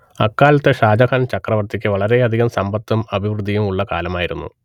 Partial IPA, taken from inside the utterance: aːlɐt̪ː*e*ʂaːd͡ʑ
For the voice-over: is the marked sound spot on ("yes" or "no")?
yes